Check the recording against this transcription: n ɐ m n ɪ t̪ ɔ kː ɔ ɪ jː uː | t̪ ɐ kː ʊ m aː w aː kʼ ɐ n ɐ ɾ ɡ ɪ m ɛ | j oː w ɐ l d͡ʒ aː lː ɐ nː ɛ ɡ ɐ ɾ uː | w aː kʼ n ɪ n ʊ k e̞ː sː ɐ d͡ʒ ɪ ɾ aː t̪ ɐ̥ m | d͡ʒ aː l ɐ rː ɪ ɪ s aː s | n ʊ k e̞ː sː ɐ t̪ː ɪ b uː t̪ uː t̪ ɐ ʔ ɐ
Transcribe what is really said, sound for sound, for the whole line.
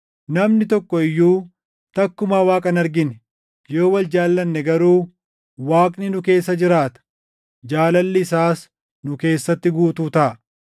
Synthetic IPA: n ɐ m n ɪ t̪ ɔ kː ɔ ɪ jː uː | t̪ ɐ kː ʊ m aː w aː kʼ ɐ n ɐ ɾ ɡ ɪ n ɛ | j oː w ɐ l d͡ʒ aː lː ɐ nː ɛ ɡ ɐ ɾ uː | w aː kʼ n ɪ n ʊ k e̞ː sː ɐ d͡ʒ ɪ ɾ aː t̪ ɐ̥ | d͡ʒ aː l ɐ lː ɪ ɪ s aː s | n ʊ k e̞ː sː ɐ t̪ː ɪ ɡ uː t̪ uː t̪ ɐ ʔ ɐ